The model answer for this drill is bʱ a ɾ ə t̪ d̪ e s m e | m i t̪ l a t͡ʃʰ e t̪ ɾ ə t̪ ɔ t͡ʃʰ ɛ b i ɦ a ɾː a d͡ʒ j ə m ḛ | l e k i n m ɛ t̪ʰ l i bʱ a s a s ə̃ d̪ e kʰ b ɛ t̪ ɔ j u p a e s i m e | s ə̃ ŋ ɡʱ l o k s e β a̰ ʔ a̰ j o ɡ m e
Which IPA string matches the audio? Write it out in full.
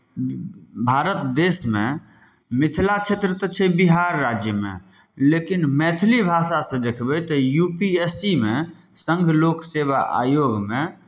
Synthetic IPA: bʱ a ɾ ə t̪ d̪ e s m e | m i t̪ʰ l a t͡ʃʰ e t̪ ɾ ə t̪ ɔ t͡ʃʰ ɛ b i ɦ a ɾː a d͡ʒ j ə m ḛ | l e k i n m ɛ t̪ʰ l i bʱ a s a s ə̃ d̪ e kʰ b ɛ t̪ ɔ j u p i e s i m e | s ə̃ ŋ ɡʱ l o k s e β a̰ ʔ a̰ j o ɡ m e